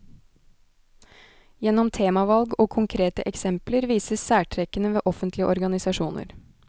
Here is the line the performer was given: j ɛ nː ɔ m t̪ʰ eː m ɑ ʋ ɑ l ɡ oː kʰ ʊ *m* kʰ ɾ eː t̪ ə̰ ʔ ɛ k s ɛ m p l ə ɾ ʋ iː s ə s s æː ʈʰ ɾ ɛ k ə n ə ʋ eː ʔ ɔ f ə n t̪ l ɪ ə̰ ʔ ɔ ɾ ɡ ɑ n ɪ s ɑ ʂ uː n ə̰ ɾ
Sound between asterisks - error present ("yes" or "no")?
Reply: yes